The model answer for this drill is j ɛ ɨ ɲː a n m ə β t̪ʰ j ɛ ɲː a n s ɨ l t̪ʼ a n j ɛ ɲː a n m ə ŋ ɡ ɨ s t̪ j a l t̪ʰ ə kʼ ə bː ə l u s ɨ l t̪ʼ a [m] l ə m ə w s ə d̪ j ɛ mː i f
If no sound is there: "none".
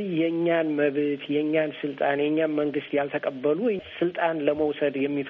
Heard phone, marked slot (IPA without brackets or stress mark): n